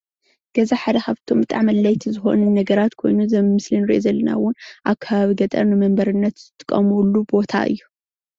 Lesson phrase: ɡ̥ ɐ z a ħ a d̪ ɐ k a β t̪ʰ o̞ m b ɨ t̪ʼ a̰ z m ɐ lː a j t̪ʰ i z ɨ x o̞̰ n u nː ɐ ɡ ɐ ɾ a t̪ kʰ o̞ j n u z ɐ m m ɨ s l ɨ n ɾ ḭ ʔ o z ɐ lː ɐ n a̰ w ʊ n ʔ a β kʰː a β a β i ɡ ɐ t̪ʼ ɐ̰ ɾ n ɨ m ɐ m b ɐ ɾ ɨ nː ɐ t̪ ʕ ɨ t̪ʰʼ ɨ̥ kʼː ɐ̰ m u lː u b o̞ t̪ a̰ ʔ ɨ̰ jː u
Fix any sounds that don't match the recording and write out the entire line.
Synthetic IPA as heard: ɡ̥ ɐ z a ħ a d̪ ɐ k a β t̪ʰ o̞ m b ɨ t̪ʼ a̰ ʕ m ɐ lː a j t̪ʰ i z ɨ x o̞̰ n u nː ɐ ɡ ɐ ɾ a t̪ kʰ o̞ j n u z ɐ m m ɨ s l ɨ n ɾ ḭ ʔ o z ɐ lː ɐ n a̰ w ʊ n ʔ a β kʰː a β a β i ɡ ɐ t̪ʼ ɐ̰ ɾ n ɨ m ɐ m b ɐ ɾ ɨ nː ɐ t̪ z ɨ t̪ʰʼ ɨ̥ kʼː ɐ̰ m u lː u b o̞ t̪ʰ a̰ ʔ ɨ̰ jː u

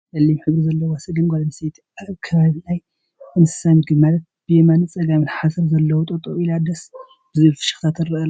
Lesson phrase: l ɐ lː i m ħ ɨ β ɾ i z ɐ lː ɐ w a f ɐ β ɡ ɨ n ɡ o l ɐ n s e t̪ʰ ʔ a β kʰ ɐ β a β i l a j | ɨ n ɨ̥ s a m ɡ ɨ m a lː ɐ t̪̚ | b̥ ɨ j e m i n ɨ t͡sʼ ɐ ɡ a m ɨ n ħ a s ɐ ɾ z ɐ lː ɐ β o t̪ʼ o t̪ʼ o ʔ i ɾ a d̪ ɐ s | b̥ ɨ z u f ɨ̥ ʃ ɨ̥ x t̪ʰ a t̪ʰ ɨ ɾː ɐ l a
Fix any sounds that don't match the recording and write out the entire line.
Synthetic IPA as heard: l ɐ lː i m ħ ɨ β ɾ i z ɐ lː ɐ w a s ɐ ɡ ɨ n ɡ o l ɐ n s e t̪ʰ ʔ a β kʰ ɐ β a β i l a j | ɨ n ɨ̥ s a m ɡ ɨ m a l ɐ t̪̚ | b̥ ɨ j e m a n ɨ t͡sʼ ɐ ɡ a m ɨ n ħ a s ɐ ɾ z ɐ lː ɐ w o t̪ʼ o t̪ʼ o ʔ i l a d̪ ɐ s | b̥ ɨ z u f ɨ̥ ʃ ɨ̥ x t̪ʰ a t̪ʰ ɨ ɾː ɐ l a

